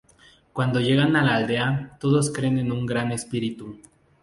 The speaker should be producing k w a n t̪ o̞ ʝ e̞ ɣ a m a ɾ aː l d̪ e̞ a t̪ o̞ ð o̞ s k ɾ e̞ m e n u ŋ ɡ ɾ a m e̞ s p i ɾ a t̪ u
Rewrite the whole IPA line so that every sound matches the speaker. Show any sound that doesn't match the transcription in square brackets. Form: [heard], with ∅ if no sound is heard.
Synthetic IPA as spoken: k w a n [d̪] o̞ ʝ e̞ ɣ a [n] a [l] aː l d̪ e̞ a t̪ o̞ ð o̞ s k ɾ e̞ [n] e n u ŋ ɡ ɾ a [n] e̞ s p i ɾ [i] t̪ u